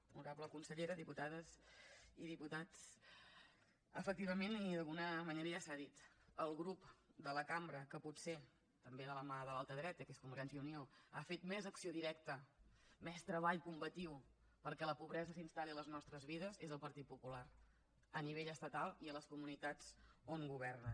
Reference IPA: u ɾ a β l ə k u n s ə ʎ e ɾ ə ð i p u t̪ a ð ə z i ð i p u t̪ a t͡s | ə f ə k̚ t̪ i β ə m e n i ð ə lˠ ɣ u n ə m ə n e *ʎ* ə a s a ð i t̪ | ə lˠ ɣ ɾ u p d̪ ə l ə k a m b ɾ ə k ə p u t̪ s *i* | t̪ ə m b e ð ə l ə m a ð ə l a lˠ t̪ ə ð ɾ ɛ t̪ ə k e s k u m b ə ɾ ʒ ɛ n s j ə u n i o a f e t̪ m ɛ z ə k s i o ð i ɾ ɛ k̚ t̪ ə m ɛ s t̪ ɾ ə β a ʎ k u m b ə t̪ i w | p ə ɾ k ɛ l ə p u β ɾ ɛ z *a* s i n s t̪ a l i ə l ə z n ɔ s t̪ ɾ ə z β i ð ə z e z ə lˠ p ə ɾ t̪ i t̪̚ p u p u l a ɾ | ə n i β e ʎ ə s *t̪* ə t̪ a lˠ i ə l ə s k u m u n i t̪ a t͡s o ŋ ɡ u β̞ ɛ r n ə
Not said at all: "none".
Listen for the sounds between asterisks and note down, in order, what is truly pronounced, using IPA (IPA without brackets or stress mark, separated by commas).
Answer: ɾ, e, ə, t̪